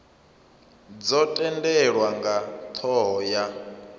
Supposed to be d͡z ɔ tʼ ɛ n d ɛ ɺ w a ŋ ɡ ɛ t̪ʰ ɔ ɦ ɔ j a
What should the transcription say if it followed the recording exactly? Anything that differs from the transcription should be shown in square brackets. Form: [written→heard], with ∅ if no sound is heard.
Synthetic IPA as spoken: d͡z ɔ tʼ ɛ n d ɛ ɺ w a ŋ ɡ [ɛ→a] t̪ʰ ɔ ɦ ɔ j a